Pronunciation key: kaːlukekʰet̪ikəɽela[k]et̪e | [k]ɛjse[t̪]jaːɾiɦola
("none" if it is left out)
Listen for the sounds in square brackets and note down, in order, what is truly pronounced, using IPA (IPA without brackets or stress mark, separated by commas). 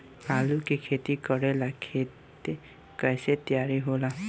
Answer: kʰ, k, t̪